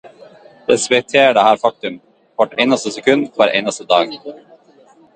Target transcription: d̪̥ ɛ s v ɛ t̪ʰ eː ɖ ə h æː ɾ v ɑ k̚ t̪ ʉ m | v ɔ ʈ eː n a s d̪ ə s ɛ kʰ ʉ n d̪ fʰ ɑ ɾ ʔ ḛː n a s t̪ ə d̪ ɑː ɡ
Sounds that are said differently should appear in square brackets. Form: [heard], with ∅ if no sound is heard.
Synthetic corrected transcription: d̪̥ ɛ s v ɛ t̪ʰ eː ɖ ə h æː ɾ [f] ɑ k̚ t̪ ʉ m | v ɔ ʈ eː n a s [t̪] ə s ɛ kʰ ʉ n d̪ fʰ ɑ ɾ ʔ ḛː n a s t̪ ə d̪ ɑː ɡ